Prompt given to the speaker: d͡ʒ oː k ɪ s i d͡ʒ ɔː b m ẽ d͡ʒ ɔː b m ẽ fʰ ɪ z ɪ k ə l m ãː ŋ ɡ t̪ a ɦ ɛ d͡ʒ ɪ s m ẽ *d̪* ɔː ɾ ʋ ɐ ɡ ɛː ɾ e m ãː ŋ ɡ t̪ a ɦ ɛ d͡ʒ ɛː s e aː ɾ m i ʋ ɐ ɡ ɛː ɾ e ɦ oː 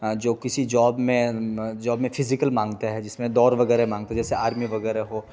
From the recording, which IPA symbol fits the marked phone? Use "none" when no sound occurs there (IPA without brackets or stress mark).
d̪